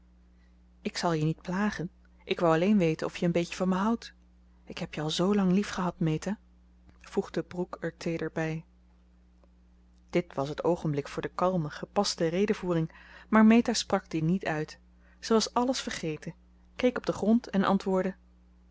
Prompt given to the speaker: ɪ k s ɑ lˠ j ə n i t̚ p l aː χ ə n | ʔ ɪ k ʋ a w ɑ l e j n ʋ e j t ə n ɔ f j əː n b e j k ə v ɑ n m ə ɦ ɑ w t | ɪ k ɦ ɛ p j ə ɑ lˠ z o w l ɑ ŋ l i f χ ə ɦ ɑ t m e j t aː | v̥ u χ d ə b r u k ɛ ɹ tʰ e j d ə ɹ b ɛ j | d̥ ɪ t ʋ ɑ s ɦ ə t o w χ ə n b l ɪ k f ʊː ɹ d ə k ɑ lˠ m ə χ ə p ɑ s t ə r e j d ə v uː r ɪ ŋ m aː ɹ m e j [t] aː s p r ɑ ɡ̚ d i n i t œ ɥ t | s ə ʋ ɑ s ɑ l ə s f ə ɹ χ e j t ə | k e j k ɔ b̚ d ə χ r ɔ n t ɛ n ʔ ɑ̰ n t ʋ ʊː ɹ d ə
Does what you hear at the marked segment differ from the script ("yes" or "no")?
no